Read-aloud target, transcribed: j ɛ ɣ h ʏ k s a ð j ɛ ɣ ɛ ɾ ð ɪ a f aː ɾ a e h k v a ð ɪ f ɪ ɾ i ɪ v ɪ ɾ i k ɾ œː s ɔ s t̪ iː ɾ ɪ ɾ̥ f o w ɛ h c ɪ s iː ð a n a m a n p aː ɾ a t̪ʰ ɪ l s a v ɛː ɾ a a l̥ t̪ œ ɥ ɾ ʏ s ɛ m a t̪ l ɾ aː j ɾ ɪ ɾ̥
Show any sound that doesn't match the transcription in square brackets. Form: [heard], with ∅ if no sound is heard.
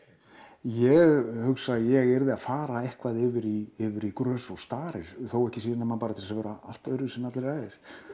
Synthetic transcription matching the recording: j ɛ ɣ h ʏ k s a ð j ɛ ɣ ɛ ɾ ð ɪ a f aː ɾ a e h k v a ð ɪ [v] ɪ ɾ i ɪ v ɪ ɾ i k ɾ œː s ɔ s t̪ [aː] ɾ ɪ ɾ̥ [θ] o w ɛ h c ɪ s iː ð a n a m a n p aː ɾ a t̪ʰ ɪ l s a v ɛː ɾ a a l̥ t̪ œ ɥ ɾ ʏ s ɛ m a t̪ l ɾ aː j ɾ ɪ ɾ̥